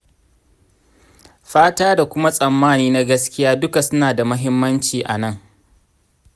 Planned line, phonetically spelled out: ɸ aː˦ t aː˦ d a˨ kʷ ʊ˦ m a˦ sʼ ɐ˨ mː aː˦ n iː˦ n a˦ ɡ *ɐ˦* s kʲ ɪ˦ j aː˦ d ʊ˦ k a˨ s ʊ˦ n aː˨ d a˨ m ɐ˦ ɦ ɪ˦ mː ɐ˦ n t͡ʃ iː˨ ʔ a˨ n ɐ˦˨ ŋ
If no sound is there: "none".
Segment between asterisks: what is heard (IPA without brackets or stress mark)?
ɐ˦